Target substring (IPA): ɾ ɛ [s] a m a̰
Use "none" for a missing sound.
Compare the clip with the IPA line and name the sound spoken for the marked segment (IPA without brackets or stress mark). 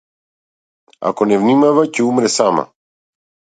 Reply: s